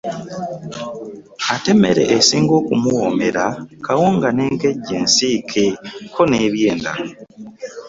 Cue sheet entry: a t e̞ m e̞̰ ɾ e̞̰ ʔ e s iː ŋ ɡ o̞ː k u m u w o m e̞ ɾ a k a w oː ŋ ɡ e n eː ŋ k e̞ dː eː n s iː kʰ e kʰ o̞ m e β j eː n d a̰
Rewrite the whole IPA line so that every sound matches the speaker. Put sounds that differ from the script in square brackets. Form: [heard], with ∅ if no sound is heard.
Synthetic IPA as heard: a t e̞ m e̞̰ ɾ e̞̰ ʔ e s iː ŋ ɡ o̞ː k u m u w o m e̞ ɾ a k a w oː ŋ ɡ [a] n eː ŋ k e̞ [ɟː] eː n s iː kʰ e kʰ o̞ [n] e β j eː n d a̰